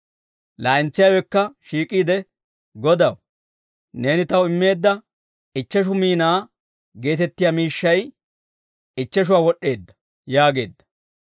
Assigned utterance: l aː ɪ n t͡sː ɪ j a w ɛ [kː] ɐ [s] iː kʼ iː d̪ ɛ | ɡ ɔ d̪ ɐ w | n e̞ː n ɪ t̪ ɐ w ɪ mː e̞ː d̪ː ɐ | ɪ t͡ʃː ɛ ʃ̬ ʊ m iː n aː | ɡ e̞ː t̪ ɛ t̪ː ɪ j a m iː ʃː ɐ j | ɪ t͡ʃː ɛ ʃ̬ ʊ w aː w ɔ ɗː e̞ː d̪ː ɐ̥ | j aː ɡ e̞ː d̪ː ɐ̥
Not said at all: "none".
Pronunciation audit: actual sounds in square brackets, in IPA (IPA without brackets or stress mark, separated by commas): kː, ʃ